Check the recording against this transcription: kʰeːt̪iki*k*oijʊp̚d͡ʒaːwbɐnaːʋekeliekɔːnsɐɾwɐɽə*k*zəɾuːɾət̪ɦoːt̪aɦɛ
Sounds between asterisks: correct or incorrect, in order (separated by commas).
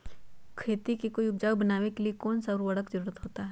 correct, correct